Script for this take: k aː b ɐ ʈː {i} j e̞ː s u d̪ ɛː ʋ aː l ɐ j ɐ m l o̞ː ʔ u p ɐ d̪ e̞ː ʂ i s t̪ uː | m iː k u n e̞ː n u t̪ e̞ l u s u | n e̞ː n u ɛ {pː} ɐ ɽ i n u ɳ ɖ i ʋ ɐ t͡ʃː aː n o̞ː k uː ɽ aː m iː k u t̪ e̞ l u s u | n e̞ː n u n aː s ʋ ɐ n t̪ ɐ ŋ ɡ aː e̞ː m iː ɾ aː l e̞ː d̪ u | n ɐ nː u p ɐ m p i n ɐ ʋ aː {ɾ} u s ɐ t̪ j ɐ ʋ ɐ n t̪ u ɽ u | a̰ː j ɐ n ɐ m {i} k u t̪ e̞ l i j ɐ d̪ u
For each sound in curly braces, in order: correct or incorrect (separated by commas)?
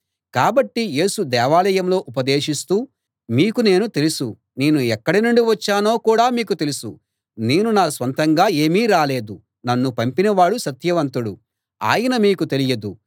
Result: correct, incorrect, incorrect, incorrect